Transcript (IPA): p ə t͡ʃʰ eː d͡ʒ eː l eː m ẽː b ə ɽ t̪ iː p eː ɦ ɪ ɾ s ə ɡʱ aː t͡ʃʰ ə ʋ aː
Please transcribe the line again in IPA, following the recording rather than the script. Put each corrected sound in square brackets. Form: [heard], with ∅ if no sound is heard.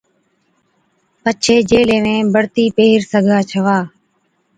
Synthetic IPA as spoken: p ə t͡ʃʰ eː d͡ʒ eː l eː m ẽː b ə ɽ t̪ iː p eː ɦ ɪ ɾ s ə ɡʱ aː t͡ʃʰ ə ʋ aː